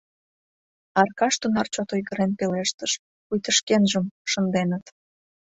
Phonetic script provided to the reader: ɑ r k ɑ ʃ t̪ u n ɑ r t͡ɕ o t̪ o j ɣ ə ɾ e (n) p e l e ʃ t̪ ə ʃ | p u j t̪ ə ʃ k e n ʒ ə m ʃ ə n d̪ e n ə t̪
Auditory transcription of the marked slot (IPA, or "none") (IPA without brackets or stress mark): n